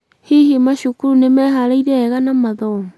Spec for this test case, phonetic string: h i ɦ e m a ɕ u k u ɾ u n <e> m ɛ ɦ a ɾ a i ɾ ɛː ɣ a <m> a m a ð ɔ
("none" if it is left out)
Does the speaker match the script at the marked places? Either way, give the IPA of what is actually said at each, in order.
e, n

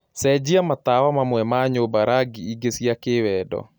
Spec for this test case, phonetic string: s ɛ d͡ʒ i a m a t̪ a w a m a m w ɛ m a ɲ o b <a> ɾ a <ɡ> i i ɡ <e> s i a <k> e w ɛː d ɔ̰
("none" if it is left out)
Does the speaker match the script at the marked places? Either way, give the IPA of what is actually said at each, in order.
a, ɡ, e, k

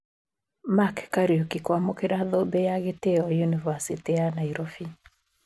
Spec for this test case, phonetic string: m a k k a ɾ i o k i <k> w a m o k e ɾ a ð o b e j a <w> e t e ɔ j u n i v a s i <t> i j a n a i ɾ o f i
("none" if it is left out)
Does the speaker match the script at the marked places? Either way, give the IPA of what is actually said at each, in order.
k, ɣ, t

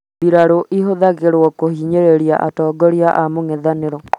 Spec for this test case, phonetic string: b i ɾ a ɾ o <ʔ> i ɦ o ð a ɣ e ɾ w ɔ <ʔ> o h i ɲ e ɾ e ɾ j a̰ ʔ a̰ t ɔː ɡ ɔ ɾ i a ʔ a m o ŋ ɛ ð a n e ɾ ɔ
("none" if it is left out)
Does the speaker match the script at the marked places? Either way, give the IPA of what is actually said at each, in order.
ʔ, k

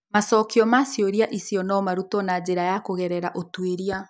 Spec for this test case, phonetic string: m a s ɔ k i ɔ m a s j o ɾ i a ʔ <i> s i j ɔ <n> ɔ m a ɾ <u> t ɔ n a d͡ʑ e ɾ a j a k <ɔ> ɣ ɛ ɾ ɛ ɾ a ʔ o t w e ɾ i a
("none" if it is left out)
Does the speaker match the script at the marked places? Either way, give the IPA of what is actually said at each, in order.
i, n, u, o

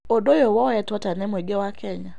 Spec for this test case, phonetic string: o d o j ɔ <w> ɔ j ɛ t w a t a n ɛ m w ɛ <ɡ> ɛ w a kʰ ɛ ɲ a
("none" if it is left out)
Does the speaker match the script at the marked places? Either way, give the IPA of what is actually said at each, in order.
w, ɡ

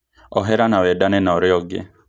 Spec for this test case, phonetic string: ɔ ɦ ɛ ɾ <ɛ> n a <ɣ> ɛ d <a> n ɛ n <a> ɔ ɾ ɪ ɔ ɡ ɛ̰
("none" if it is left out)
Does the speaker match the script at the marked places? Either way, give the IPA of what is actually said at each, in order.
a, w, a, a

